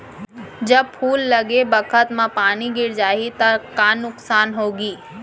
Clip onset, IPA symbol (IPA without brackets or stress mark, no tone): d͡ʒ